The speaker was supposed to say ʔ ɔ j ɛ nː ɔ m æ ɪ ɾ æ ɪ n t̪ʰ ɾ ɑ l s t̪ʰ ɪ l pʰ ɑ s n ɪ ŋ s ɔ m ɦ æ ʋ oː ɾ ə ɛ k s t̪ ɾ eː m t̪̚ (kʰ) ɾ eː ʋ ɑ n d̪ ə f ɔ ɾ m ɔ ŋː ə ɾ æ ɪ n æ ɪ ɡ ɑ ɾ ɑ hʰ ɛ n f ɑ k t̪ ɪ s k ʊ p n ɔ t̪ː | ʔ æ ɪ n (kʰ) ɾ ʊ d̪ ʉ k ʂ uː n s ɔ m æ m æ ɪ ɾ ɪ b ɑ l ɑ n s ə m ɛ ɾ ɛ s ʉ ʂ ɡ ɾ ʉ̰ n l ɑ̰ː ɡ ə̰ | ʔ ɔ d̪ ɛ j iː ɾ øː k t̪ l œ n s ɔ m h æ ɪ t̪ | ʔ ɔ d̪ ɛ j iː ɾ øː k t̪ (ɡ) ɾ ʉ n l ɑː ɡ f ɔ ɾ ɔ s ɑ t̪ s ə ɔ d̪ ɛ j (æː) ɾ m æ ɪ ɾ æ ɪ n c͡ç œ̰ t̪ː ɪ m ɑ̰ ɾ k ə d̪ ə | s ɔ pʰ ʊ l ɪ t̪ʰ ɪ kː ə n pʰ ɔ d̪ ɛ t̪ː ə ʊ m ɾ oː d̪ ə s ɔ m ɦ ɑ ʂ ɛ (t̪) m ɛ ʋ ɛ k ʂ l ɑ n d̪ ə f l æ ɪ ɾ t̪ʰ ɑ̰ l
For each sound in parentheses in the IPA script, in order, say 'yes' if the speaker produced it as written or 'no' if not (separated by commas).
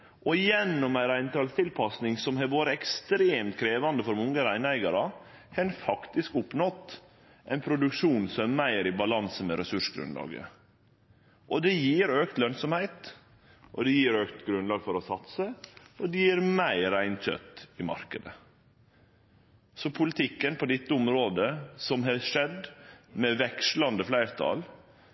yes, no, yes, no, no